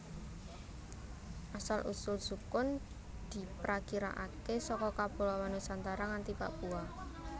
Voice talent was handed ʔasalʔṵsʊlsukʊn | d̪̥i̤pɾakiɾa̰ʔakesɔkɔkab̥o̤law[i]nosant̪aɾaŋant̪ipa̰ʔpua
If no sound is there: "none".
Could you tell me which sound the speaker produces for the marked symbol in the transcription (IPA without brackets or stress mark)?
a